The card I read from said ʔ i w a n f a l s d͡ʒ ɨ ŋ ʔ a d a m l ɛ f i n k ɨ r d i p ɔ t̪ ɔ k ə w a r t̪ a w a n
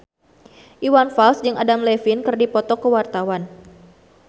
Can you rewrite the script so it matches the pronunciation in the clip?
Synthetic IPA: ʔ i w a n f a l s d͡ʒ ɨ ŋ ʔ a d a m l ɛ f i n k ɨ r d i p ɔ t̪ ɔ k ə w a r t̪ a w a n